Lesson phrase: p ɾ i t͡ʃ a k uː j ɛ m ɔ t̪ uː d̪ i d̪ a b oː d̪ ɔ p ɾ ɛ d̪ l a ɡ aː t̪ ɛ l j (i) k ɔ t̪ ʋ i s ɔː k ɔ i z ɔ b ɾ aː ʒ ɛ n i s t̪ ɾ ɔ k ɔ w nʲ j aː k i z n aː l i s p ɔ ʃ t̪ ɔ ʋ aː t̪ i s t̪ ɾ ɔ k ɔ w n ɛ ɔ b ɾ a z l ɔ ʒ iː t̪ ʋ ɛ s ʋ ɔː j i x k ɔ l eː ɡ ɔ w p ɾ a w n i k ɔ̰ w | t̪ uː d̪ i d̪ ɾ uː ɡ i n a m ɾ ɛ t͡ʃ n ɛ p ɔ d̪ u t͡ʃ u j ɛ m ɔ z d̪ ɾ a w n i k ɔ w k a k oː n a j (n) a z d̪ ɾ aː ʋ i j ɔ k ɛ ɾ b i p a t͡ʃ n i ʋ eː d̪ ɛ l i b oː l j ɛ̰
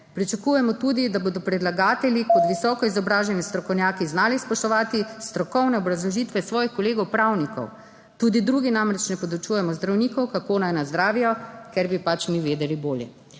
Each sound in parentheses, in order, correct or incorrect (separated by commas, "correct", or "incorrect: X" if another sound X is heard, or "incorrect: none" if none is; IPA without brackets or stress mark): correct, correct